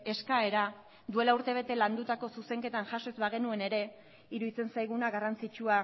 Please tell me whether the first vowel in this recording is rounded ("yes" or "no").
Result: no